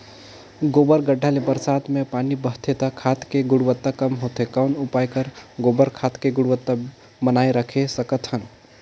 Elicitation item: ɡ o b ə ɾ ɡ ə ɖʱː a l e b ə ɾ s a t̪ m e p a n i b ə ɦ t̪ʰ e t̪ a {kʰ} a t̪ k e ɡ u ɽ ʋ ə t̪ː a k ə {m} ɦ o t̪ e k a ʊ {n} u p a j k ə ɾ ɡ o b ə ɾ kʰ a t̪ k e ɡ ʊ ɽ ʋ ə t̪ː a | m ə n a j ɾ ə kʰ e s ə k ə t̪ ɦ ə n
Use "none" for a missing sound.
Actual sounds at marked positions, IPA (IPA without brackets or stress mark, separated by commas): kʰ, m, n